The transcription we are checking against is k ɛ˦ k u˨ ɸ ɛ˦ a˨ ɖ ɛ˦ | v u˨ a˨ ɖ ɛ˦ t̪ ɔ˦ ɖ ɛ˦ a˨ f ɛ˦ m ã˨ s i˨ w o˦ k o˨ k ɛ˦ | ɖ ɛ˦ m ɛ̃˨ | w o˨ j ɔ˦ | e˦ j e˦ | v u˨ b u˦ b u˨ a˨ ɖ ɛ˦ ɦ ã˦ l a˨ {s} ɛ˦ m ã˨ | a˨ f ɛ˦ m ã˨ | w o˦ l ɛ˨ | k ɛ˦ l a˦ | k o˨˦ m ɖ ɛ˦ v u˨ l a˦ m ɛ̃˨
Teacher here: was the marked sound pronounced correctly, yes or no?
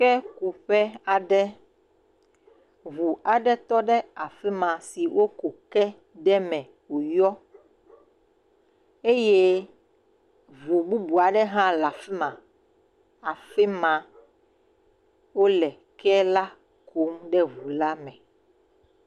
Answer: no